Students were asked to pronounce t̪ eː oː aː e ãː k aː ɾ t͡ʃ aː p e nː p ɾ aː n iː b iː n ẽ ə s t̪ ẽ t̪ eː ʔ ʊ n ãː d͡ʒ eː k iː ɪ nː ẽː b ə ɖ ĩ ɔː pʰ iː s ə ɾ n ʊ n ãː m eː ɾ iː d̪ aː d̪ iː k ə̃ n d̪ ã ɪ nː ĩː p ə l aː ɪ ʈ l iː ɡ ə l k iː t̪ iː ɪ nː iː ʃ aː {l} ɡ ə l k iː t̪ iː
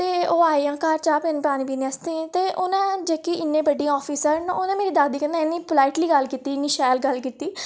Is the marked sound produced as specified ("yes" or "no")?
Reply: yes